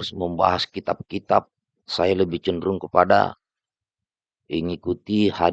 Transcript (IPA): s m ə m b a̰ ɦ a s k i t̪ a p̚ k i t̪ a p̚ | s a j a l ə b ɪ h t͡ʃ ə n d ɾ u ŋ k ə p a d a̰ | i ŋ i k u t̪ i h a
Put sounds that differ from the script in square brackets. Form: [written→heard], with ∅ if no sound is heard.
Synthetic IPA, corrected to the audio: s m ə m b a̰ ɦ a s k i t̪ a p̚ k i t̪ a p̚ | s a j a l ə b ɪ h t͡ʃ ə n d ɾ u ŋ k ə p a d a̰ | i ŋ i k u t̪ i h a